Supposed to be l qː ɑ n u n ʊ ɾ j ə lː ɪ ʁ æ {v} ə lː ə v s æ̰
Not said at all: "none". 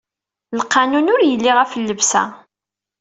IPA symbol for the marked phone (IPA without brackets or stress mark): f